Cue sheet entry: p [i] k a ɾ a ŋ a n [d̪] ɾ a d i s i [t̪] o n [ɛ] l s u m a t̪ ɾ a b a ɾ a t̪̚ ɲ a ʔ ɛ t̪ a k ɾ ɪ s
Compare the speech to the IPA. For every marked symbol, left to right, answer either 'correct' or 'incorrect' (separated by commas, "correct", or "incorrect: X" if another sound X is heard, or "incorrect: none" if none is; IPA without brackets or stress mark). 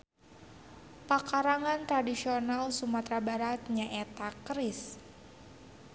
incorrect: a, incorrect: t̪, incorrect: none, incorrect: a